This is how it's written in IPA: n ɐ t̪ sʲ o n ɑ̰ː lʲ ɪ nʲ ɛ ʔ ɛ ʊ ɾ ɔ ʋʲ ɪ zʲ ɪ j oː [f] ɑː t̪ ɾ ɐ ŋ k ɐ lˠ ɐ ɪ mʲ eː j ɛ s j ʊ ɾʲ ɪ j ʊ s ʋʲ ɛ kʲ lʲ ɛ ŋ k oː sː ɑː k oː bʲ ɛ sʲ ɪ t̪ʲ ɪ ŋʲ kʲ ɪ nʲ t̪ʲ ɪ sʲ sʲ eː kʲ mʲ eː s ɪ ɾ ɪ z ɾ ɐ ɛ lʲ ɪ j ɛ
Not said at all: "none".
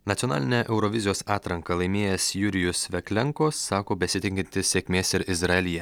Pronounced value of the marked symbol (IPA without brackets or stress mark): s